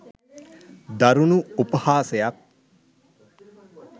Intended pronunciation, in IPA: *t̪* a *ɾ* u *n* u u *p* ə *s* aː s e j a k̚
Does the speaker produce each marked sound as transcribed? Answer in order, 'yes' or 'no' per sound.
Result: no, yes, yes, yes, no

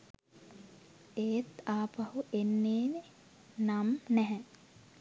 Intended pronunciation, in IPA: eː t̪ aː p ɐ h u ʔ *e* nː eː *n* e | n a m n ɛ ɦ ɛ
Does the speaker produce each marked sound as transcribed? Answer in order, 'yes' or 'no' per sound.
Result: yes, yes

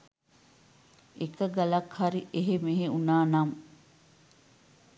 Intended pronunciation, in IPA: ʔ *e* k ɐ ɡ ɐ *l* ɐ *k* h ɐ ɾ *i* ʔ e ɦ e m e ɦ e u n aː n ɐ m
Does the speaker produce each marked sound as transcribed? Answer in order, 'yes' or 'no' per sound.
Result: yes, yes, yes, yes

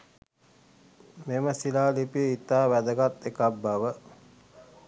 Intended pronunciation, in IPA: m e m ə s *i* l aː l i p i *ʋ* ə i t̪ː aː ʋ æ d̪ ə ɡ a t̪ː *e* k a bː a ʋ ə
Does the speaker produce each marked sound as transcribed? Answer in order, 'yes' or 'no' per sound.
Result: yes, no, yes

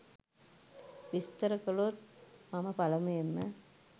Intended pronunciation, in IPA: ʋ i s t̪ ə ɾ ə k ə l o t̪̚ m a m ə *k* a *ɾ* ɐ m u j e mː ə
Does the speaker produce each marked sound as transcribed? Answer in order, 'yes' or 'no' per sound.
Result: no, no

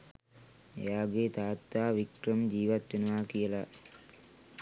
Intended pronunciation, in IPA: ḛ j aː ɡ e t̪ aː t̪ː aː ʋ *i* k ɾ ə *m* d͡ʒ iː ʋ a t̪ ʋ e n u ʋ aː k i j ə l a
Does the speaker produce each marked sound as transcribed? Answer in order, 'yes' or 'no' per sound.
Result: yes, yes

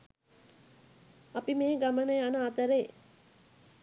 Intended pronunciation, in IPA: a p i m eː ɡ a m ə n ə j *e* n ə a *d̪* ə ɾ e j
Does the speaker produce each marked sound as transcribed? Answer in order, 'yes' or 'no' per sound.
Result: no, no

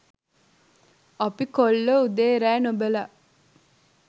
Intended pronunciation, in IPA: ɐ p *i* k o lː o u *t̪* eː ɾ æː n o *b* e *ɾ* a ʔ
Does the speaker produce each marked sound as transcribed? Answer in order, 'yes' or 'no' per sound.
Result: yes, no, yes, no

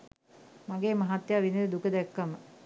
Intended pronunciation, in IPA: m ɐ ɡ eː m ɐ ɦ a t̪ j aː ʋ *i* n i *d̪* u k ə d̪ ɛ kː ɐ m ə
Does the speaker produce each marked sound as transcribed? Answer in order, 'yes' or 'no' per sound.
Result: yes, yes

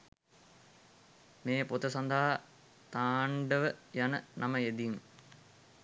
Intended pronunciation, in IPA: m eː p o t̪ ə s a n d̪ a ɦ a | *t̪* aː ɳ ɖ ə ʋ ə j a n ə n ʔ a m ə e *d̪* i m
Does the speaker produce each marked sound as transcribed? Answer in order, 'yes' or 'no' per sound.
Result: yes, yes

